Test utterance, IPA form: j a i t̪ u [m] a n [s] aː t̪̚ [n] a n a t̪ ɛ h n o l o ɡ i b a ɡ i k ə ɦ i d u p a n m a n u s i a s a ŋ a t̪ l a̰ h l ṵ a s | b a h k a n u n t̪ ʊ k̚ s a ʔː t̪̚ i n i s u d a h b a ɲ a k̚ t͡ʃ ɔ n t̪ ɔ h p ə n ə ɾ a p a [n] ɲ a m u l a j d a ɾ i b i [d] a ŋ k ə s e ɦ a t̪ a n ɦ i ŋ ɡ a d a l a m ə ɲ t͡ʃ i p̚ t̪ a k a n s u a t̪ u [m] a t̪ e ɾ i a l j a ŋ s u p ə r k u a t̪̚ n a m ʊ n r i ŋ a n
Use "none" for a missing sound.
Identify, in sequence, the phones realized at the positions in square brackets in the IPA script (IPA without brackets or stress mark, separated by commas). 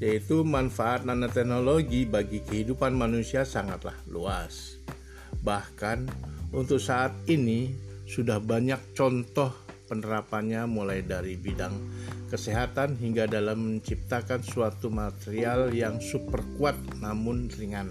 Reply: m, f, n, n, d, m